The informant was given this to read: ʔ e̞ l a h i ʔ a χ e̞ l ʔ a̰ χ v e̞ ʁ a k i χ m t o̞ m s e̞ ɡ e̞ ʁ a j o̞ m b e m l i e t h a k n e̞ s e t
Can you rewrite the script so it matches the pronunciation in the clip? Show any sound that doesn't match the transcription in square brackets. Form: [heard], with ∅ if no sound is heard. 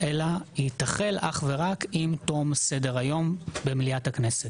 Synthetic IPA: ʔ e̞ l a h i [t] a χ e̞ l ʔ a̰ χ v e̞ ʁ a k i [∅] m t o̞ m s e̞ [d] e̞ ʁ a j o̞ m b e m l i [a] t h a k n e̞ s e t